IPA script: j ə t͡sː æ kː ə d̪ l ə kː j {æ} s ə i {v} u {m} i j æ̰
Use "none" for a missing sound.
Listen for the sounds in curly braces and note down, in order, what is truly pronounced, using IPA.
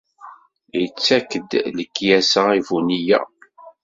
æ, v, n

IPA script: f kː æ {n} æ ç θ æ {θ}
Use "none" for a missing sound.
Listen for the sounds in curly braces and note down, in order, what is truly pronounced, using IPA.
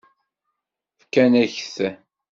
n, none

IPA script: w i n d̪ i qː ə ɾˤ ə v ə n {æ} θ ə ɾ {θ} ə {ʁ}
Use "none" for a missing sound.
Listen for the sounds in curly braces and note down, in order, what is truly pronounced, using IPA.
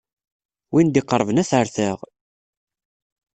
æ, θ, ʁ

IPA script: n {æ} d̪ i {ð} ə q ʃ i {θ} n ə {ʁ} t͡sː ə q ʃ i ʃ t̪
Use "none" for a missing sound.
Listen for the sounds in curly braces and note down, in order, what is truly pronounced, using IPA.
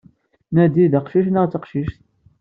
æ, ð, ʃ, ʁ

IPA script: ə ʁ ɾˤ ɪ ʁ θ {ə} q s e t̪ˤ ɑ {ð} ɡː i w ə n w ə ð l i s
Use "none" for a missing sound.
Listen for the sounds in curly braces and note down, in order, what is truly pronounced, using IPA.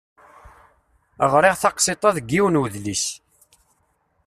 ɑ, ð

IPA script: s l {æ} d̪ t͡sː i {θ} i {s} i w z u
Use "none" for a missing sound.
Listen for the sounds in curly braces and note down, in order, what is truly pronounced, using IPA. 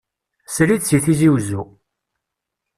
i, θ, z

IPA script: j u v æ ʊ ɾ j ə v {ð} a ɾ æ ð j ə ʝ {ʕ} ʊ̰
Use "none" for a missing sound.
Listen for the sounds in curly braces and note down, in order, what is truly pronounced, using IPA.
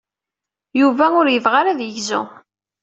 ʁ, z

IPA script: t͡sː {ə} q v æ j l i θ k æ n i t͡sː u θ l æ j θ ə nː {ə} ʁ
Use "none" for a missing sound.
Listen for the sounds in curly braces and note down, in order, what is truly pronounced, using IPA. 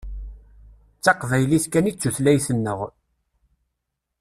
ɑ, ə

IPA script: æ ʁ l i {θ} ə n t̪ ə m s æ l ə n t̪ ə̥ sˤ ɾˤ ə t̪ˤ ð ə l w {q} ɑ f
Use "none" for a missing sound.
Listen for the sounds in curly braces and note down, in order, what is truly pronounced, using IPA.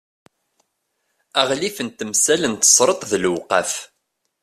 f, q

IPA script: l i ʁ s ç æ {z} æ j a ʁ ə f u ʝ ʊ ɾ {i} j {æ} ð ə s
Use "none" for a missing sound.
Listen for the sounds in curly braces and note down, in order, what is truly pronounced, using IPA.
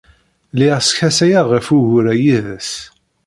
s, æ, i

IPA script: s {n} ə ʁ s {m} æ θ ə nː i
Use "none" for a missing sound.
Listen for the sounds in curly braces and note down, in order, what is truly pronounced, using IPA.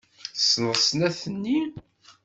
n, n

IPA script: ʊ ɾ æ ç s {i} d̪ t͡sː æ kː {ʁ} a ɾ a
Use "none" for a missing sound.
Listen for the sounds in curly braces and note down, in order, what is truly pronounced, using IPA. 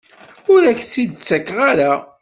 i, ʁ

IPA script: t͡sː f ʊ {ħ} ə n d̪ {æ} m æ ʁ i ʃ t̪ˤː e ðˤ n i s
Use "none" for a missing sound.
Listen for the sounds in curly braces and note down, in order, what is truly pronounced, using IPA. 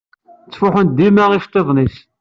ħ, i

